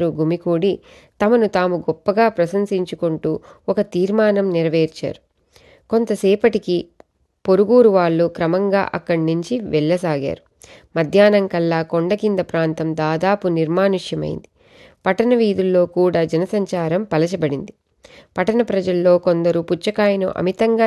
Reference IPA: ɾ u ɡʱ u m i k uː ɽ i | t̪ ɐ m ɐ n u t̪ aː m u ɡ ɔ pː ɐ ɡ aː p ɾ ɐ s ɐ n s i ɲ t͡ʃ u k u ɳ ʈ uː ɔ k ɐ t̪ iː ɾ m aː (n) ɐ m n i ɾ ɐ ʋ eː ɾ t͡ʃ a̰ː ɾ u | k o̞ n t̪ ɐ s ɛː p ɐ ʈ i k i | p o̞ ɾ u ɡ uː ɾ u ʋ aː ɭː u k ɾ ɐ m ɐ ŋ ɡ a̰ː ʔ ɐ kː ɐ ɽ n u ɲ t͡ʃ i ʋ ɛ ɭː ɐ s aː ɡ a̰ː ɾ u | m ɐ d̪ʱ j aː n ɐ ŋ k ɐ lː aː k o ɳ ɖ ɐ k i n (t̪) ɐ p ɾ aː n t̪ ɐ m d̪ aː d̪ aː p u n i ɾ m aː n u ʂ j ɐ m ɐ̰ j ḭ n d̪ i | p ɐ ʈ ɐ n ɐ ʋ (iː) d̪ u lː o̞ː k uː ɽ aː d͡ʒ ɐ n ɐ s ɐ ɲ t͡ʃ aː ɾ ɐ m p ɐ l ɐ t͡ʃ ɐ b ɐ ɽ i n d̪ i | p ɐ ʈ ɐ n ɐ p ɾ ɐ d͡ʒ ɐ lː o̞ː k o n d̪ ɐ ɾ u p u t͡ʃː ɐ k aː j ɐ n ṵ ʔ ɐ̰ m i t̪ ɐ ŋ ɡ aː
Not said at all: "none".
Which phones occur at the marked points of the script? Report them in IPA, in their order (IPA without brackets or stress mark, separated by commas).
n, d̪, iː